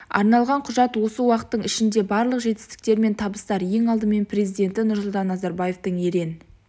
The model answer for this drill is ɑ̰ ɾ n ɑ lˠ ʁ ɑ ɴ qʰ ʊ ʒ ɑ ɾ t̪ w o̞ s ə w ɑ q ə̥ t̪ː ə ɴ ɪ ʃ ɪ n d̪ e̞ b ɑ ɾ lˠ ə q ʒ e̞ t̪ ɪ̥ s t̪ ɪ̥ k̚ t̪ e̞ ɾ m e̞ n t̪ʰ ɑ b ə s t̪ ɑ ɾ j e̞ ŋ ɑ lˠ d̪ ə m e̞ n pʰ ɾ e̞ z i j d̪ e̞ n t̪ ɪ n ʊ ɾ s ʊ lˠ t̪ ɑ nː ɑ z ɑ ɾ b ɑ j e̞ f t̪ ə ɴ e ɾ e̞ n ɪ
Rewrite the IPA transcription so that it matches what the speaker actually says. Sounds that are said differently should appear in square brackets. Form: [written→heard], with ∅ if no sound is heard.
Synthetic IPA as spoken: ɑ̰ ɾ n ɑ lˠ ʁ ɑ ɴ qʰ ʊ ʒ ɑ [ɾ→∅] t̪ w o̞ s ə w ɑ q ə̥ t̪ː ə ɴ ɪ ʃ ɪ n d̪ e̞ b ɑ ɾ lˠ ə q ʒ e̞ t̪ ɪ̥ s t̪ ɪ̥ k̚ t̪ e̞ ɾ m e̞ n t̪ʰ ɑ b ə s t̪ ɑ ɾ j e̞ ŋ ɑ lˠ d̪ ə m e̞ n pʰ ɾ e̞ z i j d̪ e̞ n t̪ ɪ n ʊ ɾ s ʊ lˠ t̪ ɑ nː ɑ z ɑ ɾ b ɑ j e̞ f t̪ ə ɴ e ɾ e̞ n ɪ